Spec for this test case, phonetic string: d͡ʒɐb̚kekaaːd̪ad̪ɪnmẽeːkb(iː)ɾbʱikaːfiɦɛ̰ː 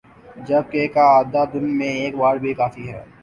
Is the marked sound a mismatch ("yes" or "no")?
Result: yes